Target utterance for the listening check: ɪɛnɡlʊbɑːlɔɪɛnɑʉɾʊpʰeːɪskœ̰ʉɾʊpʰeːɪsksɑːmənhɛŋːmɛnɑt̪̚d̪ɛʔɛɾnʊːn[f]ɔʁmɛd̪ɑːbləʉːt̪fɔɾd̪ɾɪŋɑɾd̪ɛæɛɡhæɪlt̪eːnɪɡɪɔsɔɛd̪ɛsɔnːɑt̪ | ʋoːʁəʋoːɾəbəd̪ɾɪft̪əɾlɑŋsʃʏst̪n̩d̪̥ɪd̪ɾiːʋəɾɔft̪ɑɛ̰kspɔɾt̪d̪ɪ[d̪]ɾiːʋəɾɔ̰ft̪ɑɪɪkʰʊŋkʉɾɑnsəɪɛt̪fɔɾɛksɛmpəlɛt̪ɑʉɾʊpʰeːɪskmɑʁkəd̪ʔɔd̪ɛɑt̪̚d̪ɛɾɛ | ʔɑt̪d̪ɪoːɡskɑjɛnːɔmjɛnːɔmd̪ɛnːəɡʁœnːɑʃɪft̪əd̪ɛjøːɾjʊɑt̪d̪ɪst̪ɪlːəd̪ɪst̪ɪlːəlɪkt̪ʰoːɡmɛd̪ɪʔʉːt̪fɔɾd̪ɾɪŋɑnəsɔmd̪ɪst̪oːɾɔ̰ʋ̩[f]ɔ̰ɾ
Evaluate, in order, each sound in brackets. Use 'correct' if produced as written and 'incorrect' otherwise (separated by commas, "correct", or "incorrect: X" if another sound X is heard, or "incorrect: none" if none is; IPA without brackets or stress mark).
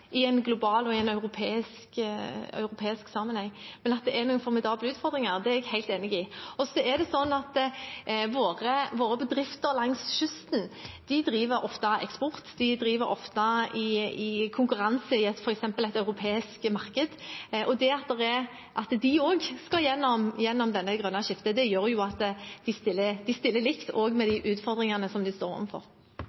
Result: correct, correct, correct